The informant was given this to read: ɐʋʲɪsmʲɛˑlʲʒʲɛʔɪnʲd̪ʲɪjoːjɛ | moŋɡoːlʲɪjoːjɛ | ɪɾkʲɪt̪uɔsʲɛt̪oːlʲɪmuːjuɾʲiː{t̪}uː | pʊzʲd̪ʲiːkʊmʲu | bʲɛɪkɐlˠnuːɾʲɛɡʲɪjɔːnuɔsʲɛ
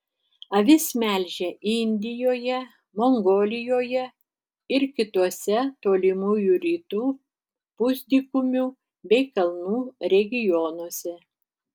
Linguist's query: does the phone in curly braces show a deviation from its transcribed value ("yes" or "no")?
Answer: no